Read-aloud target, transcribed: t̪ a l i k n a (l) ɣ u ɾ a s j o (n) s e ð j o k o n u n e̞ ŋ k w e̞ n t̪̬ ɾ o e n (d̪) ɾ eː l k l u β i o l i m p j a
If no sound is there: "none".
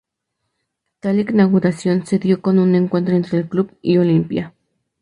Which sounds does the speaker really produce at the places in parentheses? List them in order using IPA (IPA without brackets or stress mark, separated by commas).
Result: none, n, t̪